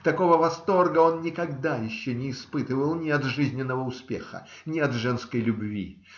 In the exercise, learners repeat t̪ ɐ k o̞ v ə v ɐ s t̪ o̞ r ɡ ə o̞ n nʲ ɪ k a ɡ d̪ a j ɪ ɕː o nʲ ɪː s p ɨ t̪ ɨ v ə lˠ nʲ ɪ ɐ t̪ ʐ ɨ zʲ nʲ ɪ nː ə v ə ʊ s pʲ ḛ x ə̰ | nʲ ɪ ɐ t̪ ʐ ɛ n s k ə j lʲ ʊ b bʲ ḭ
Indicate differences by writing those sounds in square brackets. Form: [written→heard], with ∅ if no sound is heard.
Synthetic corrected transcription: t̪ ɐ k o̞ v ə v ɐ s t̪ o̞ r ɡ ə o̞ n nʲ ɪ k [a→ɐ] ɡ d̪ a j ɪ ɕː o nʲ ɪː s p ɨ t̪ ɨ v ə lˠ nʲ ɪ ɐ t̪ ʐ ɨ zʲ nʲ ɪ nː ə v ə ʊ s pʲ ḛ x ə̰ | nʲ ɪ ɐ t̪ ʐ ɛ n s k ə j lʲ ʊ b [bʲ→vʲ] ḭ

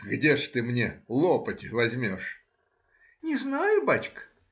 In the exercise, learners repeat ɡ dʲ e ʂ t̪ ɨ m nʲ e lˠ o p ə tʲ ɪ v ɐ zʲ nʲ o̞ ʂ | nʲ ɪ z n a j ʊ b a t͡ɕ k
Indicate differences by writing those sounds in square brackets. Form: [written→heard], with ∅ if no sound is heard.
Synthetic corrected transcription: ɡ dʲ e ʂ t̪ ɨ m nʲ e lˠ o p ə tʲ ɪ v ɐ zʲ [nʲ→mʲ] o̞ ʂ | nʲ ɪ z n a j ʊ b a t͡ɕ k

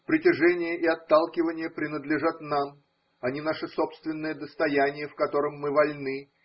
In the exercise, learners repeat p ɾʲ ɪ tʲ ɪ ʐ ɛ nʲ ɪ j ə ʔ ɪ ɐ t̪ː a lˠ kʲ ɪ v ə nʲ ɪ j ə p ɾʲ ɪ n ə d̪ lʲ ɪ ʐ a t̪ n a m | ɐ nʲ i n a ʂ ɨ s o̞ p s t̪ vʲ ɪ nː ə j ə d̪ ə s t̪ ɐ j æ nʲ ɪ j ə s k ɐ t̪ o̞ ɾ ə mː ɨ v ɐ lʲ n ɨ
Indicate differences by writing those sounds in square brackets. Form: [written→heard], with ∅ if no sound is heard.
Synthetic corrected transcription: p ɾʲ ɪ tʲ ɪ ʐ ɛ nʲ ɪ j ə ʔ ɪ ɐ t̪ː a lˠ kʲ ɪ v ə nʲ ɪ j ə p ɾʲ ɪ n ə d̪ lʲ ɪ ʐ a t̪ n a m | ɐ nʲ i n a ʂ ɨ s o̞ p s t̪ vʲ ɪ nː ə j ə d̪ ə s t̪ ɐ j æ nʲ ɪ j ə [s→f] k ɐ t̪ o̞ ɾ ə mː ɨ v ɐ lʲ n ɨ

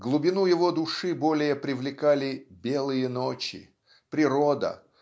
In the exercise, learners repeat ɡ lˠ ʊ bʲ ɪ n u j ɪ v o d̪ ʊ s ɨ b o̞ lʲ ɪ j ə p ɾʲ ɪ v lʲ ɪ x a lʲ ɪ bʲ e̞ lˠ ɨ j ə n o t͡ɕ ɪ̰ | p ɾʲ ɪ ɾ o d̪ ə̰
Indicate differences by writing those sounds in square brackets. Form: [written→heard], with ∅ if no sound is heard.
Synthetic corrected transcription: ɡ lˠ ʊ bʲ ɪ n u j ɪ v o d̪ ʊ [s→ʂ] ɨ b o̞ lʲ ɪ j ə p ɾʲ ɪ v lʲ ɪ [x→k] a lʲ ɪ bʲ e̞ lˠ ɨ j ə n o t͡ɕ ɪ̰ | p ɾʲ ɪ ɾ o d̪ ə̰

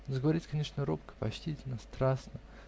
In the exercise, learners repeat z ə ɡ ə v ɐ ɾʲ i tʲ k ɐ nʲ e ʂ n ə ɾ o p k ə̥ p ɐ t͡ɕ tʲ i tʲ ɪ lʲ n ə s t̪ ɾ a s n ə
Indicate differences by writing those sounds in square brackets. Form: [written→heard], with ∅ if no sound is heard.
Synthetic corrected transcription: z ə ɡ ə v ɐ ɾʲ i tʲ k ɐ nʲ e ʂ n ə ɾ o p k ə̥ p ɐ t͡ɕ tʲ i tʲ ɪ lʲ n ə s t̪ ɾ a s n ə

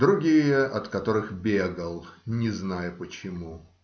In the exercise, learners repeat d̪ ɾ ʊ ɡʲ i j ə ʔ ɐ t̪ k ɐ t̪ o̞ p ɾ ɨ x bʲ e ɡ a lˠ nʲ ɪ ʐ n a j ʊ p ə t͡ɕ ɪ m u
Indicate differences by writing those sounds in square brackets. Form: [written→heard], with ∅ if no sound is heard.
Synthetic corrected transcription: d̪ ɾ ʊ ɡʲ i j ə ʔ ɐ t̪ k ɐ t̪ o̞ [p→∅] ɾ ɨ x bʲ e ɡ [a→ə] lˠ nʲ ɪ [ʐ→z] n a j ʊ p ə t͡ɕ ɪ m u

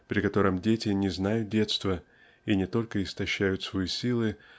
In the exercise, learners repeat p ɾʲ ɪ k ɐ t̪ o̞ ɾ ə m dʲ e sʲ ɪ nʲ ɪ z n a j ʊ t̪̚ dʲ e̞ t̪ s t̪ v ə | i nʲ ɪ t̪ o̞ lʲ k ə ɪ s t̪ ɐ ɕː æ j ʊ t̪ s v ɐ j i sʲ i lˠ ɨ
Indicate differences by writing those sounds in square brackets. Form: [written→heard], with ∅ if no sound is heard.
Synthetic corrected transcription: p ɾʲ ɪ k ɐ t̪ o̞ ɾ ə m dʲ e [sʲ→tʲ] ɪ nʲ ɪ z n a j ʊ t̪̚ dʲ e̞ t̪ s t̪ v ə | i nʲ ɪ t̪ o̞ lʲ k ə ɪ s t̪ ɐ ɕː æ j ʊ t̪ s v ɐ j i sʲ i lˠ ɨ

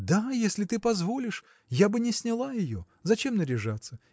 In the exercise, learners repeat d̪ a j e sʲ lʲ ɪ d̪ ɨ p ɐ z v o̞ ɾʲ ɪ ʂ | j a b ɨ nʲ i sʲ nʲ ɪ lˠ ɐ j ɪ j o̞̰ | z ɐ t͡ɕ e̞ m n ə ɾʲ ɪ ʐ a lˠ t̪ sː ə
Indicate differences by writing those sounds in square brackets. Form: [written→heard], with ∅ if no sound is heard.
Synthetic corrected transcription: d̪ a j e sʲ lʲ ɪ [d̪→t̪] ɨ p ɐ z v o̞ [ɾʲ→lʲ] ɪ ʂ | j a b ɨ nʲ [i→ɪ] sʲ nʲ ɪ lˠ [ɐ→a] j ɪ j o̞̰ | z ɐ t͡ɕ e̞ m n ə ɾʲ ɪ ʐ a [lˠ→∅] t̪ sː ə

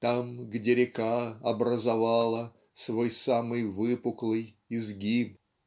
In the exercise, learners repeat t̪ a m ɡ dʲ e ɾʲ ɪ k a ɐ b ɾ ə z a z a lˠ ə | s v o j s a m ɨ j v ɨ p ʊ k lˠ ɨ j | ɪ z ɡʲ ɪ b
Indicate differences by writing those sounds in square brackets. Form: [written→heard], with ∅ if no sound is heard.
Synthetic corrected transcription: t̪ a m ɡ dʲ e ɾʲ ɪ k a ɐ b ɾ ə z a [z→v] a lˠ ə | s v o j s a m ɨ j v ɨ p ʊ k lˠ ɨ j | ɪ z ɡʲ [ɪ→i] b

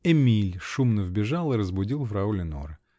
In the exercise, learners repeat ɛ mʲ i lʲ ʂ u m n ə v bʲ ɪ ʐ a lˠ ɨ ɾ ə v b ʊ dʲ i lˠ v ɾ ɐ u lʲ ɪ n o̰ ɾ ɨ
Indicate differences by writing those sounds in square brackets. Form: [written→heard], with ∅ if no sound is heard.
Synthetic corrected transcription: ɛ mʲ i lʲ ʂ u m n ə v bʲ ɪ ʐ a lˠ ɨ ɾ ə [v→z] b ʊ dʲ i lˠ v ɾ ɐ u lʲ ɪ n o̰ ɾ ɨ

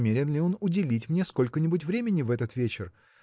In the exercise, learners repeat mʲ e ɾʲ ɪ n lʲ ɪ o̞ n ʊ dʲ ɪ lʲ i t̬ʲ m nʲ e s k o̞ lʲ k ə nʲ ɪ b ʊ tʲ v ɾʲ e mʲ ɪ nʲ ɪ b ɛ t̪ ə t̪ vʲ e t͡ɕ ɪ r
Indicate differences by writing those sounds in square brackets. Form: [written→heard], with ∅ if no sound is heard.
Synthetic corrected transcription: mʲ e ɾʲ ɪ n lʲ ɪ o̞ n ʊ dʲ ɪ lʲ i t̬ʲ m nʲ e s k o̞ lʲ k ə nʲ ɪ b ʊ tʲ v ɾʲ e mʲ ɪ nʲ ɪ [b→v] ɛ t̪ ə t̪ vʲ e t͡ɕ ɪ r

